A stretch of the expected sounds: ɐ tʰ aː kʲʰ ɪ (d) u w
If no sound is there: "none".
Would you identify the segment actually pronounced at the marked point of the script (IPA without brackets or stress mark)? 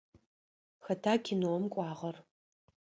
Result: n